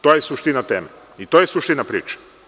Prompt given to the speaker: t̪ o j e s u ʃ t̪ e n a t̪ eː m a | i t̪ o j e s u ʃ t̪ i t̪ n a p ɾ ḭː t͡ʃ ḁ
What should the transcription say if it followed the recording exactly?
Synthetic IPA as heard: t̪ o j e s u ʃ t̪ i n a t̪ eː m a | i t̪ o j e s u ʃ t̪ i n a p ɾ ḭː t͡ʃ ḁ